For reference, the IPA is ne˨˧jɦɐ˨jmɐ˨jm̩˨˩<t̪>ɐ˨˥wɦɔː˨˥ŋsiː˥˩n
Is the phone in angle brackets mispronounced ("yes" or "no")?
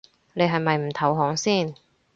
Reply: yes